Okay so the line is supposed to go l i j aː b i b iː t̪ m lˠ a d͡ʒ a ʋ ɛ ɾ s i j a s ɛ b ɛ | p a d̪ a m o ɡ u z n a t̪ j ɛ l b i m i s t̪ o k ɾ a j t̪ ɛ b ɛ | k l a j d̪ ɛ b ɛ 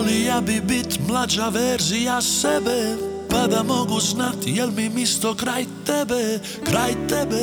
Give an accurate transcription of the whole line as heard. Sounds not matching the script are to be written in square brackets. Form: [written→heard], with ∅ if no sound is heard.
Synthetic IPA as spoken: l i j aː b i b [iː→i] t̪ m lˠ a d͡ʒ a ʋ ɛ ɾ [s→z] i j a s ɛ b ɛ | p a d̪ a m o ɡ u z n a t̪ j ɛ l [b→m] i m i s t̪ o k ɾ a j t̪ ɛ b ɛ | k [l→ɾ] a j [d̪→t̪] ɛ b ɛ